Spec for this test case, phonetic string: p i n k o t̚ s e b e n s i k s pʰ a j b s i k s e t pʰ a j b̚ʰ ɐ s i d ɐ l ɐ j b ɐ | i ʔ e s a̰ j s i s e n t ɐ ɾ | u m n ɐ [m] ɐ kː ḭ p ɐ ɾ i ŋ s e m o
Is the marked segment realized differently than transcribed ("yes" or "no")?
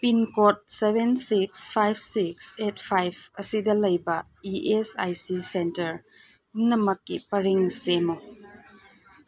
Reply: no